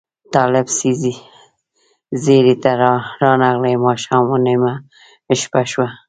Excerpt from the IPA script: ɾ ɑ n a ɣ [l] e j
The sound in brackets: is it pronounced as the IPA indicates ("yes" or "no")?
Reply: yes